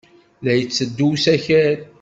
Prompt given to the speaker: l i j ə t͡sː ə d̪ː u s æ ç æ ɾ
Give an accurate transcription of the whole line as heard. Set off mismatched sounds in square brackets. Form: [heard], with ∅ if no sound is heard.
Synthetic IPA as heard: l [æ] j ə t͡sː ə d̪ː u s æ ç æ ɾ